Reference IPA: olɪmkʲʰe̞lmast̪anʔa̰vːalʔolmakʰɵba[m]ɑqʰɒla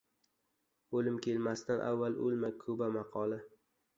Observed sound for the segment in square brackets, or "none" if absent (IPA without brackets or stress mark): m